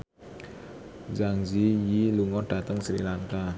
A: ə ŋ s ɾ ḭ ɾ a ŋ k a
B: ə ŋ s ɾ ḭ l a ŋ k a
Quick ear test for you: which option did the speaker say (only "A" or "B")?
B